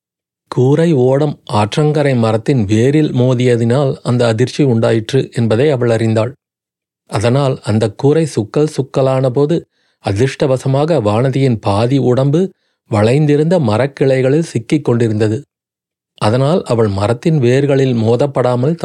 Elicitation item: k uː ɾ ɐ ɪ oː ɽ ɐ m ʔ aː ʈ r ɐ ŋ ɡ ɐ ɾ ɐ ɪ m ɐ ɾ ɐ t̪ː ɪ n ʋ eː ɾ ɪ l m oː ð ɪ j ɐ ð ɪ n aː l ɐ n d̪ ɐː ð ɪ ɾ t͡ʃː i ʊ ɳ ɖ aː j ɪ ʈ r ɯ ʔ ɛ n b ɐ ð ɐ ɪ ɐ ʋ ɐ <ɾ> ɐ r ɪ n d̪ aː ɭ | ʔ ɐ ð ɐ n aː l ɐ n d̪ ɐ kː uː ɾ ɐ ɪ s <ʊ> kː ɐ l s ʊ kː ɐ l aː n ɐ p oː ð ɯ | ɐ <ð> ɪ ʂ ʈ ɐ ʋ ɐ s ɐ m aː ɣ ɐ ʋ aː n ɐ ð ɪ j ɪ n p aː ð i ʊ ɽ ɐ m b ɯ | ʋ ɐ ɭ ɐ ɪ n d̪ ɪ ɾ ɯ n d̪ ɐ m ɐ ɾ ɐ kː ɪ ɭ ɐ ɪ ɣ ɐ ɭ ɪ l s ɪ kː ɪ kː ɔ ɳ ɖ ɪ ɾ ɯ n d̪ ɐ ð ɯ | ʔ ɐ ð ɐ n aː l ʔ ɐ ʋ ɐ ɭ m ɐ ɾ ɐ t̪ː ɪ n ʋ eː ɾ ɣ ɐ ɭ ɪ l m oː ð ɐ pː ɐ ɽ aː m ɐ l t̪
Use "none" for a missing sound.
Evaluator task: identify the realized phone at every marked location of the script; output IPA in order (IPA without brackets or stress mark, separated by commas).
ɭ, ʊ, ð